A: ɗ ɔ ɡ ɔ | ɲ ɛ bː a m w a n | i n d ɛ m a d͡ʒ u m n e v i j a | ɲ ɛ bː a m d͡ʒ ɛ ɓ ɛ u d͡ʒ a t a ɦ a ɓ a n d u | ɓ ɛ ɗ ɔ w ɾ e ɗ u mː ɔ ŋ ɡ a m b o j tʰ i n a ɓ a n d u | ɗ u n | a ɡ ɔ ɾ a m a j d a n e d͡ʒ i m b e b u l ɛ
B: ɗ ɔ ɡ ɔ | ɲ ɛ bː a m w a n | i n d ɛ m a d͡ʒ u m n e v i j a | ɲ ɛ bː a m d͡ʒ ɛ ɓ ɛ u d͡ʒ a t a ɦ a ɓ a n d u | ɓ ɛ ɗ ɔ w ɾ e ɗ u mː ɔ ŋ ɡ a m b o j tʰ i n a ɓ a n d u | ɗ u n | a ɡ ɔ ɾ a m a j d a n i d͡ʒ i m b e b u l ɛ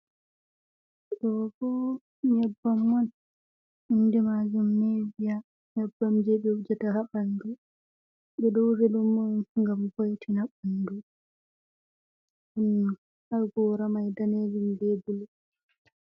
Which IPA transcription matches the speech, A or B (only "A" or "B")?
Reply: A